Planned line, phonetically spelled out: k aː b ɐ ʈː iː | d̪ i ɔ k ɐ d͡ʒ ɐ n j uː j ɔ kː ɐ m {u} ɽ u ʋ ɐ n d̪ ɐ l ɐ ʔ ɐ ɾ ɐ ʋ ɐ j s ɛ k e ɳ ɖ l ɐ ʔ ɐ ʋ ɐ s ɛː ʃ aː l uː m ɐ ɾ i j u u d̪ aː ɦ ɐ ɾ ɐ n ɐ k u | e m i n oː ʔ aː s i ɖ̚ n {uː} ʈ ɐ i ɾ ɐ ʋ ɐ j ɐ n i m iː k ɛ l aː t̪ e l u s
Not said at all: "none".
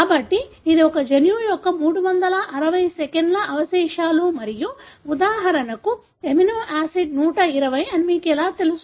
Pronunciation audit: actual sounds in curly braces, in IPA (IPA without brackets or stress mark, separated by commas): uː, uː